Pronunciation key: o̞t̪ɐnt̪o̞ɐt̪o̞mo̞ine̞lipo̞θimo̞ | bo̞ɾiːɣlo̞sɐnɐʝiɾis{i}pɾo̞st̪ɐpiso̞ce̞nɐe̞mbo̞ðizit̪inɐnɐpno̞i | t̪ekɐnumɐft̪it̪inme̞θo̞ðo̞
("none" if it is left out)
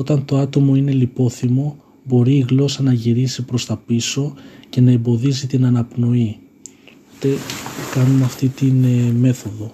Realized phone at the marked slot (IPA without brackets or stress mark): i